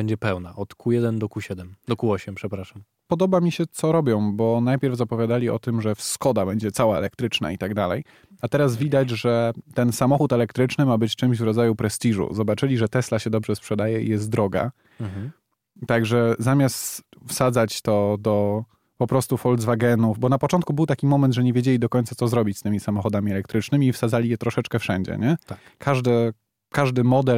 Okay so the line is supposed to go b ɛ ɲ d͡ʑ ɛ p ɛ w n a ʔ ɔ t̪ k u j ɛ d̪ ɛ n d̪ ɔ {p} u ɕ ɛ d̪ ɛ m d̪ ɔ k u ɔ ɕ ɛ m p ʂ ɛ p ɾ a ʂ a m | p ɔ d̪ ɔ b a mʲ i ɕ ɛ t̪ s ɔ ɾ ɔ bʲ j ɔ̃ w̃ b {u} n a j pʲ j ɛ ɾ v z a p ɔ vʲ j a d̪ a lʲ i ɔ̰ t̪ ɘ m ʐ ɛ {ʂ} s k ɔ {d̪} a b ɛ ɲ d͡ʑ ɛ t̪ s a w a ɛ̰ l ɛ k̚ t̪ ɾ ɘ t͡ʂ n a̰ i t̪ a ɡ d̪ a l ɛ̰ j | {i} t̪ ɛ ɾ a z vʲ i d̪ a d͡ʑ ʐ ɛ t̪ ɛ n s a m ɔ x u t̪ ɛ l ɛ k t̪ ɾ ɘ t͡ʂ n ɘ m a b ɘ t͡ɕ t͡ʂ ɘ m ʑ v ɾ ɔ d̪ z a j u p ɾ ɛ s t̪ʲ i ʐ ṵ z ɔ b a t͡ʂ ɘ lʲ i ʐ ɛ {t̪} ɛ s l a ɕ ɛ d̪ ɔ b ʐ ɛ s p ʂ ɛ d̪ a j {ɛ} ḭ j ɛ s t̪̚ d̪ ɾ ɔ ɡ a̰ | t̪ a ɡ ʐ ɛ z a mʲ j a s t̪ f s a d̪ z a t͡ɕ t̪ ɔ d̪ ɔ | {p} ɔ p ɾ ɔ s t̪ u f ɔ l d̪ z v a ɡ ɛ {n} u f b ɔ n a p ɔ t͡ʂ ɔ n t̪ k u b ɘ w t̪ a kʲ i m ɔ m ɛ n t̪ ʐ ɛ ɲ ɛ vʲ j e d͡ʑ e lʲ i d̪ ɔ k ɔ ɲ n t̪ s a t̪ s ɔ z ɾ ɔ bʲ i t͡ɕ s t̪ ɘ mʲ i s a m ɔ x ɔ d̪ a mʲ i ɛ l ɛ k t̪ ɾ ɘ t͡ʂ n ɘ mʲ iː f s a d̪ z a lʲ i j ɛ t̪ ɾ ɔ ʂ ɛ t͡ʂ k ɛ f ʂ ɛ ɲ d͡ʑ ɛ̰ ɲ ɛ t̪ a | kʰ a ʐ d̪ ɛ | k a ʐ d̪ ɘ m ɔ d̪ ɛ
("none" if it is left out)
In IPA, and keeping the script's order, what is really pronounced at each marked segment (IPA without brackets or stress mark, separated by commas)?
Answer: k, ɔ, f, d̪, a, t̪, ɛ, p, n